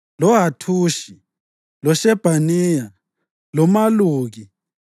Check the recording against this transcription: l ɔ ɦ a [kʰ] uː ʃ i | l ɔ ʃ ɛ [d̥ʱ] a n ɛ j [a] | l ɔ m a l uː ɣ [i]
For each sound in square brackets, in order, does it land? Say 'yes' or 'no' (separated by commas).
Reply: no, no, yes, yes